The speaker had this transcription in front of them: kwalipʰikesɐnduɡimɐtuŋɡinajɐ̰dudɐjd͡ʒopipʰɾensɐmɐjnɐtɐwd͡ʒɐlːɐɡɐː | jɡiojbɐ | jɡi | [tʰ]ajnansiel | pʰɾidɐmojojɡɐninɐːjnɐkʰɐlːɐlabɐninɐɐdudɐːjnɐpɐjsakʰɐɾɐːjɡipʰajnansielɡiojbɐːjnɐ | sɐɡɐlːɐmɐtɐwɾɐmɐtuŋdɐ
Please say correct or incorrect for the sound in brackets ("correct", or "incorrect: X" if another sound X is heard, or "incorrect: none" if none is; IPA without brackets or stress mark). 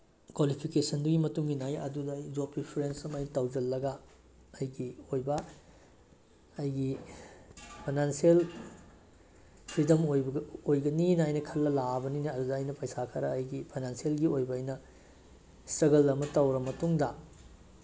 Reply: incorrect: pʰ